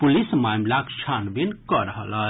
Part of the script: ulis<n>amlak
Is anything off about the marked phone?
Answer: yes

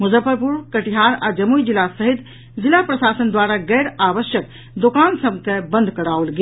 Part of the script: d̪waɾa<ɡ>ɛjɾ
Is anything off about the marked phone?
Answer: no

